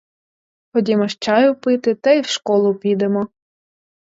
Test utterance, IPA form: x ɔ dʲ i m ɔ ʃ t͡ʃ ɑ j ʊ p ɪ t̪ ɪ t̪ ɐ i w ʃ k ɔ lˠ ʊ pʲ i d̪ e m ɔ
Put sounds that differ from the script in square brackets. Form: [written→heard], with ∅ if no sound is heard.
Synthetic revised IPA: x ɔ dʲ i m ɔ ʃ t͡ʃ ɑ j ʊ p ɪ t̪ ɪ t̪ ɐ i w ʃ k ɔ lˠ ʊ pʲ i d̪ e m ɔ